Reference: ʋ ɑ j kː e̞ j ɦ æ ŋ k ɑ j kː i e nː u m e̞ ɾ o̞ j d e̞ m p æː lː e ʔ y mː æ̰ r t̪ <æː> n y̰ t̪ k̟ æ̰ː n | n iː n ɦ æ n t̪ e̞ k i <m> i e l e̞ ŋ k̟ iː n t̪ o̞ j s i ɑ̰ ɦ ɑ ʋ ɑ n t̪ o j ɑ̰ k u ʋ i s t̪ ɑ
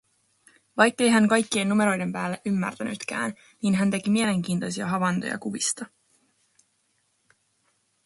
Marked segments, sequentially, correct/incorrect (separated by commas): incorrect, correct